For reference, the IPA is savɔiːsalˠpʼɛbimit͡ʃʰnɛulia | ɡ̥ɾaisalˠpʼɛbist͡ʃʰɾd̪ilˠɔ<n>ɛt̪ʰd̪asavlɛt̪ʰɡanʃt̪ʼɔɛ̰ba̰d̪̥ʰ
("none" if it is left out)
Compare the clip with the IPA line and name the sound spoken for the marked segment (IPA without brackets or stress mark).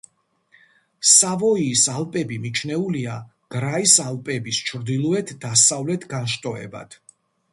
none